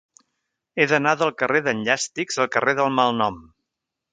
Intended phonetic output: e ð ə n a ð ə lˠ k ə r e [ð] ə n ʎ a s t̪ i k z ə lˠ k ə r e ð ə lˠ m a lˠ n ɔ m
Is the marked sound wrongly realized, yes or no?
no